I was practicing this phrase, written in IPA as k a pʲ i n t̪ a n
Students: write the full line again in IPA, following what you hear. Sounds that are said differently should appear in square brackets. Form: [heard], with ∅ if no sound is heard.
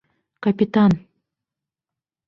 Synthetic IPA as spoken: k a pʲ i [∅] t̪ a n